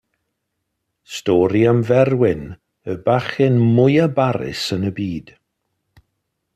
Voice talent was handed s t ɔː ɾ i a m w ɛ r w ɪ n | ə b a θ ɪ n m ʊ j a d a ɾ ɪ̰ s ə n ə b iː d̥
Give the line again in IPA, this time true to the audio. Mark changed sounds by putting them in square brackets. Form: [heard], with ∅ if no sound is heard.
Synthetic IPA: s t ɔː ɾ i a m [v] ɛ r w ɪ n | ə b a [χ] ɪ n m ʊ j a [b] a ɾ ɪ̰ s ə n ə b iː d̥